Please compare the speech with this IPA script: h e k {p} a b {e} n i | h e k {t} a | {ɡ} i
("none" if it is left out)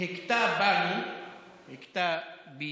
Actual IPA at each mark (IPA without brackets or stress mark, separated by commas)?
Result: t, a, t, b